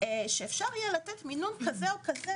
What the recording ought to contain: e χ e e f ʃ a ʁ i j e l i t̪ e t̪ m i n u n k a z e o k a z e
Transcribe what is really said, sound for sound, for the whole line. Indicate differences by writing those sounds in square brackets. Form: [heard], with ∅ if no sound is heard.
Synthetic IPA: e [ʃ] e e f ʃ a ʁ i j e l [a] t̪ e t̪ m i n u n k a z e o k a z e